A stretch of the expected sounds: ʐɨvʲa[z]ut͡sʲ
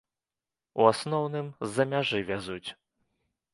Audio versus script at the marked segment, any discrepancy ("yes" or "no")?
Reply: no